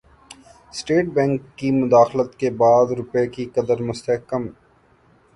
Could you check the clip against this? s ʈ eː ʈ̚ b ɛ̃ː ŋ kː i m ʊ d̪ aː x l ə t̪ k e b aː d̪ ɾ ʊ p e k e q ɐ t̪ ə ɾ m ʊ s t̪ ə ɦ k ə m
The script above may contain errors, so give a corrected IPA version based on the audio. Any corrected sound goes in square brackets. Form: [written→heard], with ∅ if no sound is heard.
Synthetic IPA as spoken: s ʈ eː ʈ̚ b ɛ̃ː ŋ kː i m ʊ d̪ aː x l ə t̪ k e b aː d̪ ɾ ʊ p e k [e→i] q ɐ [t̪→d̪] ə ɾ m ʊ s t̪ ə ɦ k ə m